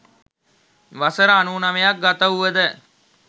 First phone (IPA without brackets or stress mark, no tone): ʋ